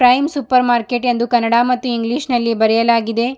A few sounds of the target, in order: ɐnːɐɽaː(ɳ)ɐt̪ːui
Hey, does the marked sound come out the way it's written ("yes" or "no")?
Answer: no